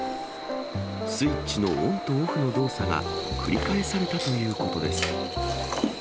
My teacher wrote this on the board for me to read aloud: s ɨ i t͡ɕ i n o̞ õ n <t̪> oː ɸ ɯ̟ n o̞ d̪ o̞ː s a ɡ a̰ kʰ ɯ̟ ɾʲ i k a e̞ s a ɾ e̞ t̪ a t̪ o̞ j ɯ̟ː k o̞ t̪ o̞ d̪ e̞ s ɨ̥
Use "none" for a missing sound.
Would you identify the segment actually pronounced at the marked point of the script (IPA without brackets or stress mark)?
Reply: t̪